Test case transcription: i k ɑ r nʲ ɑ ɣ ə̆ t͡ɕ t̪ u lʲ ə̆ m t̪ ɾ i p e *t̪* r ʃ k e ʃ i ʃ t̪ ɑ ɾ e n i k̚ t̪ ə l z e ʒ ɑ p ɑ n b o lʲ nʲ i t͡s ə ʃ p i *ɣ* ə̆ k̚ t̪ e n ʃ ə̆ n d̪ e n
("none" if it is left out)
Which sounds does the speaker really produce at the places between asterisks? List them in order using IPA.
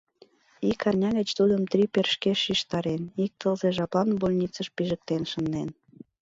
none, ʒ

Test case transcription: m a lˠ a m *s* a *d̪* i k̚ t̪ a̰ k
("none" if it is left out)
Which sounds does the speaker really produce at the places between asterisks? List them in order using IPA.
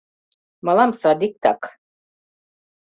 s, d̪

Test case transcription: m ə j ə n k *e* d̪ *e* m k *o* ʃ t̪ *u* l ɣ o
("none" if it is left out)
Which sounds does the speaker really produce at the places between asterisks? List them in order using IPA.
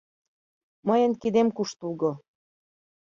i, e, u, u

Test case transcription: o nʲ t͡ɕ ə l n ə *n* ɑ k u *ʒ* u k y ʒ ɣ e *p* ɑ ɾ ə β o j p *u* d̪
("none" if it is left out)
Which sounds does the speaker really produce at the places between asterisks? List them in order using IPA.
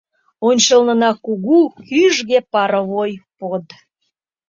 n, ɣ, p, o

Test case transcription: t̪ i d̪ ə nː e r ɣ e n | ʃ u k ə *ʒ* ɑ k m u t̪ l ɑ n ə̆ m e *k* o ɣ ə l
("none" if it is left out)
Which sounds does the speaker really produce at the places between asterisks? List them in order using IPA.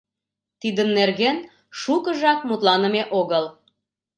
ʒ, ʔ

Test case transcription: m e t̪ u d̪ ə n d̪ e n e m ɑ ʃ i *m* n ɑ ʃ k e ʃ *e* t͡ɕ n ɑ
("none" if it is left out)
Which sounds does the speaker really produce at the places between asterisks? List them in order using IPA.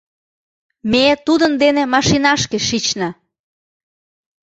none, i

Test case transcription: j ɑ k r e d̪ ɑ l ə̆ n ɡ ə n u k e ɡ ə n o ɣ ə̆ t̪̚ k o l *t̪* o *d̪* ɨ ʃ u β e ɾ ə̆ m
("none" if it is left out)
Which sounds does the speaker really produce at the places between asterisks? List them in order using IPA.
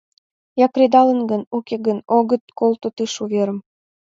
t̪, t̪

